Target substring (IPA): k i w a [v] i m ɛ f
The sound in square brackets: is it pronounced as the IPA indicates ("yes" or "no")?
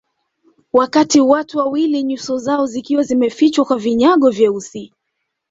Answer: no